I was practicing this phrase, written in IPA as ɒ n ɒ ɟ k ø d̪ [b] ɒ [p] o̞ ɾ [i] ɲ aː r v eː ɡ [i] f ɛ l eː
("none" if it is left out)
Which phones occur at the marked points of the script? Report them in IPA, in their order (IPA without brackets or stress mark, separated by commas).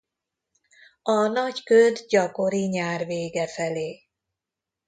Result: ɟ, k, i, ɛ